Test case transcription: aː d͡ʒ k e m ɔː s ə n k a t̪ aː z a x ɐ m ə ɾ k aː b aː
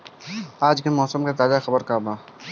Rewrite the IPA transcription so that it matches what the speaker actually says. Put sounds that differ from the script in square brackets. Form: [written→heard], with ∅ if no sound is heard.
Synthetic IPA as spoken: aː d͡ʒ k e m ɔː s ə [n→m] k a t̪ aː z a x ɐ [m→b] ə ɾ k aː b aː